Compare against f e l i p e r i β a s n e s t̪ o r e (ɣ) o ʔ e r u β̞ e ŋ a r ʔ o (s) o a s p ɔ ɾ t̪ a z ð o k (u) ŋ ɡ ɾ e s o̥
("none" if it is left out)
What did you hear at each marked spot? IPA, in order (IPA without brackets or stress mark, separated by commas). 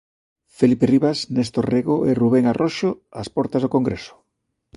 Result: ɣ, ʃ, o